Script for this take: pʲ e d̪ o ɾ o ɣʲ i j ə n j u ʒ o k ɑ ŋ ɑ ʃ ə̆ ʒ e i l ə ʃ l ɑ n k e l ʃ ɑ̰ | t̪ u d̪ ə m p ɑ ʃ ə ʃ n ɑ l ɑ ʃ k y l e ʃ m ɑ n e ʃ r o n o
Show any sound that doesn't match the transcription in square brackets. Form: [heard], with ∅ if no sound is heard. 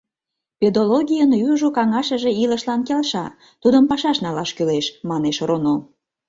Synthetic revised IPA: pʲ e d̪ o [l] o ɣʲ i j ə n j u ʒ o k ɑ ŋ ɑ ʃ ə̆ ʒ e i l ə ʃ l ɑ n k e l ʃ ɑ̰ | t̪ u d̪ ə m p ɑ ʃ [ɑ] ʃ n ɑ l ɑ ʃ k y l e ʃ m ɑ n e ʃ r o n o